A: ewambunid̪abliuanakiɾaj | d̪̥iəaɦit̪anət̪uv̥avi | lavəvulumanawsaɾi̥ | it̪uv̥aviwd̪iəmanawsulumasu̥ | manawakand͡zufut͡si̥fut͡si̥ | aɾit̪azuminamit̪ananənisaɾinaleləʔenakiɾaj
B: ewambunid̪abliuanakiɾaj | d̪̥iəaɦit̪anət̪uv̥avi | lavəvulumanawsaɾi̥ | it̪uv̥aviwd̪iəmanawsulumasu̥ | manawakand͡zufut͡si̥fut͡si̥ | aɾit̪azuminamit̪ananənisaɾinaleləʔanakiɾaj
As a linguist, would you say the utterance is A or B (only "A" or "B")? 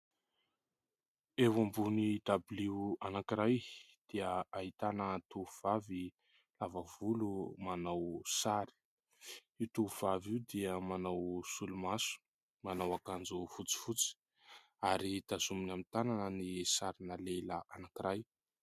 B